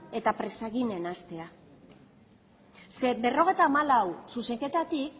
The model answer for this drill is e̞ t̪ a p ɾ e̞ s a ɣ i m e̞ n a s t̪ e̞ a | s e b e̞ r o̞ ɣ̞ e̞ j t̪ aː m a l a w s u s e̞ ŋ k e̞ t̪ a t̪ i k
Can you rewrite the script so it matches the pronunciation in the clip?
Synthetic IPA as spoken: e̞ t̪ a p ɾ e̞ s a ɣ i n e̞ n a s t̪ e̞ a | s e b e̞ r o̞ ɣ̞ e̞ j t̪ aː m a l a w s u s e̞ ŋ k e̞ t̪ a t̪ i k